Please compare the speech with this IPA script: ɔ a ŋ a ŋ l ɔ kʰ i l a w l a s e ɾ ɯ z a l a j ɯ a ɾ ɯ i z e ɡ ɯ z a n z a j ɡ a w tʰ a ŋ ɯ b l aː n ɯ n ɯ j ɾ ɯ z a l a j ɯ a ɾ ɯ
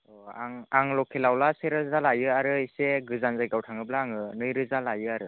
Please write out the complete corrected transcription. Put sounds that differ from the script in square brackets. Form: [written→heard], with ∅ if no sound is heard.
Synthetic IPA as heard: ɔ a ŋ a ŋ l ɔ kʰ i l a w l a s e ɾ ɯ z a l a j ɯ a ɾ ɯ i [z→s] e ɡ ɯ z a n z a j ɡ a w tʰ a ŋ ɯ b l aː [n→ŋ] ɯ n ɯ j ɾ ɯ z a l a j ɯ a ɾ ɯ